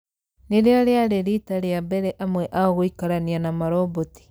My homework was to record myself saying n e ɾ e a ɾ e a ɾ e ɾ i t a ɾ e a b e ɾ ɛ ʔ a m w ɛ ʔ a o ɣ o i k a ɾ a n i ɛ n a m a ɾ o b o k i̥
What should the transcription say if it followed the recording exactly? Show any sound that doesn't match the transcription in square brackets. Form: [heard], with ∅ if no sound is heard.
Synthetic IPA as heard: n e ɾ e a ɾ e a ɾ e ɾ i t a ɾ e a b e ɾ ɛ ʔ a m w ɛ ʔ a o ɣ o i k a ɾ a n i [a] n a m a ɾ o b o [t] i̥